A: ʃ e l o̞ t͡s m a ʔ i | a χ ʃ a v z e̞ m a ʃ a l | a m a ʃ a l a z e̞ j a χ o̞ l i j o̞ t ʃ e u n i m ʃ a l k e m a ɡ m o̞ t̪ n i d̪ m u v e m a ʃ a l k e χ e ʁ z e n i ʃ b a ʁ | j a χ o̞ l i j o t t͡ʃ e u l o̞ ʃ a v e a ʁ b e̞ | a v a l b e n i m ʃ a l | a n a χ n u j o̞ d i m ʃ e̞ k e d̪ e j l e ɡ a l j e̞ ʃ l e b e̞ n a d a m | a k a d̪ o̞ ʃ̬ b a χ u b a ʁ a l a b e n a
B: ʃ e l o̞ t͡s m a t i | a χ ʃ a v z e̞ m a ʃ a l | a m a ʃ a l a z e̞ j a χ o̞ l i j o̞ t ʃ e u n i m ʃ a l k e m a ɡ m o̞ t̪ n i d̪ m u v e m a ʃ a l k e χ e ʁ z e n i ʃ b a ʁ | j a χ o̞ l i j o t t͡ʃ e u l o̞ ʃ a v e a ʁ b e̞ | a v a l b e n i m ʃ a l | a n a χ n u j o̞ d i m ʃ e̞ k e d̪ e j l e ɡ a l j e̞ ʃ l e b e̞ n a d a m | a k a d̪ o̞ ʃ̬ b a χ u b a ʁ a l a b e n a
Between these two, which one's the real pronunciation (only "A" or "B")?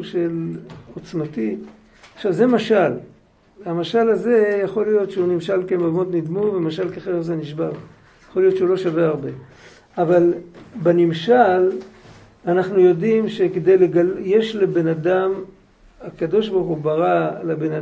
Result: B